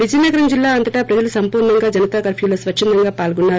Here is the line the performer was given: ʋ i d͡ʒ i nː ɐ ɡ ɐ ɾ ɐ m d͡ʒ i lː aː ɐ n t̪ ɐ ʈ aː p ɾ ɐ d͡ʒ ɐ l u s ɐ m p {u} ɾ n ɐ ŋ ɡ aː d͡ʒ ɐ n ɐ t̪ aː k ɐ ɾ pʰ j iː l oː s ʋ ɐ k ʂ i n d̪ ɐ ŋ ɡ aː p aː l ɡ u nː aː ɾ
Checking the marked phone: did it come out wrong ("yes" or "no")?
yes